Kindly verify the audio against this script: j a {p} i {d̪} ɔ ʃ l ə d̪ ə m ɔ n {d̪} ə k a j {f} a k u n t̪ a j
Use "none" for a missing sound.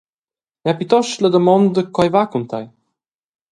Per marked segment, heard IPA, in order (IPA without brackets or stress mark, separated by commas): p, t̪, d̪, v